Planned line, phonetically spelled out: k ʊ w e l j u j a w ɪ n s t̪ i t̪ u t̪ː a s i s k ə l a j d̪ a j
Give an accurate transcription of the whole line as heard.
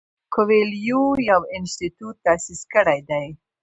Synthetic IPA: k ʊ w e l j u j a w ɪ n s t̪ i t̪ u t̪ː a s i s k ə ɽ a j d̪ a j